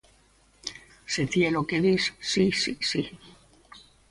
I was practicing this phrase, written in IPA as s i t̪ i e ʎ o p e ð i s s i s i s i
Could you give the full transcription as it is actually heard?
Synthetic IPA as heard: s e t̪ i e l o k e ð i s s i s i s i